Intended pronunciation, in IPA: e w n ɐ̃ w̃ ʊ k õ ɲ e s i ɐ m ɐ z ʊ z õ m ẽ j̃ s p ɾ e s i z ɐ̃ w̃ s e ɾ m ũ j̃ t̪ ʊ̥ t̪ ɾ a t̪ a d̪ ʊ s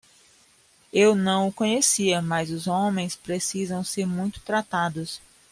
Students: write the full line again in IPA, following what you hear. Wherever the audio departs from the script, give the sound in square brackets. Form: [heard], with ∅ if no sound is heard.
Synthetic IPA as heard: e w n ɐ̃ w̃ ʊ k õ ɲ e s i ɐ m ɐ z ʊ z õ m ẽ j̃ s p ɾ e s i z ɐ̃ w̃ s e ɾ m ũ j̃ t̪ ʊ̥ t̪ ɾ a t̪ a d̪ ʊ s